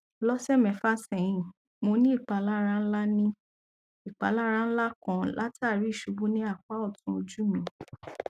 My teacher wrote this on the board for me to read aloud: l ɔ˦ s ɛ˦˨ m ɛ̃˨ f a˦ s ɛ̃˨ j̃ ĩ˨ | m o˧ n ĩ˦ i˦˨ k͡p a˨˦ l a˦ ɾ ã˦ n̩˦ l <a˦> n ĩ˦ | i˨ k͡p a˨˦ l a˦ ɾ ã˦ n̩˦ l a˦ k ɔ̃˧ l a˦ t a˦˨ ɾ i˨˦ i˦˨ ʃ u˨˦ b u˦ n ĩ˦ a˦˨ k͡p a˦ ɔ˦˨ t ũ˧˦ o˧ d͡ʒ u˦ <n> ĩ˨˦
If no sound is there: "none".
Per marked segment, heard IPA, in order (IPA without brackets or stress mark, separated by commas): a˦, m